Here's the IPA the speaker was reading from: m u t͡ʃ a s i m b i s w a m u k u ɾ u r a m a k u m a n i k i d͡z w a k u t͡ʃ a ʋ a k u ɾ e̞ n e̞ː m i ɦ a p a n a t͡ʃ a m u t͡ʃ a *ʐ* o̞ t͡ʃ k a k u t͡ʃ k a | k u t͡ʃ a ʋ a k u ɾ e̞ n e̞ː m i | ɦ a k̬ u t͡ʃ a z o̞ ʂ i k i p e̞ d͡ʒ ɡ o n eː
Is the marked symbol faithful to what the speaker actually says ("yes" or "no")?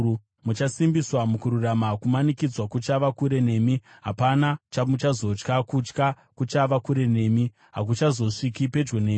no